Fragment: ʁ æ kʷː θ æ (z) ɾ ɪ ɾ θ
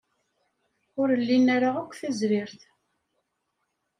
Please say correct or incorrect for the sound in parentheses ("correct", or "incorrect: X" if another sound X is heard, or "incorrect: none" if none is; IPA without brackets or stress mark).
correct